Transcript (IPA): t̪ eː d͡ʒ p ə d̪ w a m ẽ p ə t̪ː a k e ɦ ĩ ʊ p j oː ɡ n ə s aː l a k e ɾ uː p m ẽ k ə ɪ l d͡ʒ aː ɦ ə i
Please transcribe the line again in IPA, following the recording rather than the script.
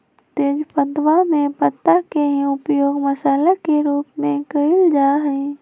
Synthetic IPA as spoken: t̪ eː d͡ʒ p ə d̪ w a m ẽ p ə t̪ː a k e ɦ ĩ ʊ p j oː ɡ m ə s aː l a k e ɾ uː p m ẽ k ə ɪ l d͡ʒ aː ɦ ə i